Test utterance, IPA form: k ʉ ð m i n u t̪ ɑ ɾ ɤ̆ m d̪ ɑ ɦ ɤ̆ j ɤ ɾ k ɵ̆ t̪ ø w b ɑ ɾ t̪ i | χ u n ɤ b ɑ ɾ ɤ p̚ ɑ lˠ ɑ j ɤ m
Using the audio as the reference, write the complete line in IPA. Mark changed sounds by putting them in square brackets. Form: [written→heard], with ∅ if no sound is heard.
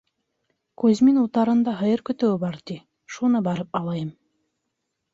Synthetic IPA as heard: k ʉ [ð→z] m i n u t̪ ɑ ɾ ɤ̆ [m→n] d̪ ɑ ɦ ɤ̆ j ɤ ɾ k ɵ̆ t̪ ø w b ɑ ɾ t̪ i | [χ→ʃ] u n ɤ b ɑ ɾ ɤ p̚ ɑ lˠ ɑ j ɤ m